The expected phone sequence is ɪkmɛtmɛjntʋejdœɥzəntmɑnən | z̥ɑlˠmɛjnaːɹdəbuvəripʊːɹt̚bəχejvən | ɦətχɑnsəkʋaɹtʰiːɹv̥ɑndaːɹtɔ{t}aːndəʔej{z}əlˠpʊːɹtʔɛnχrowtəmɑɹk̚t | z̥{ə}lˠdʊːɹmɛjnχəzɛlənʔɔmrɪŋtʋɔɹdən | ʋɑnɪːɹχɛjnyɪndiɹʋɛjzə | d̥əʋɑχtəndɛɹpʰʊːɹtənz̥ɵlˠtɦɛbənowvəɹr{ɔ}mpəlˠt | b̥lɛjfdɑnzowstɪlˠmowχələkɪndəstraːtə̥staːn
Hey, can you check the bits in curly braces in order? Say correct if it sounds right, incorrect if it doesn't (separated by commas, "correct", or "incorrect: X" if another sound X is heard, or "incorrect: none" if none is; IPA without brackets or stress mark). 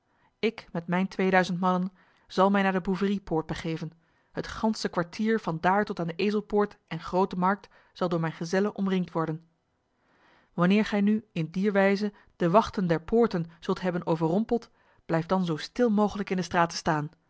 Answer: correct, correct, incorrect: ɑ, correct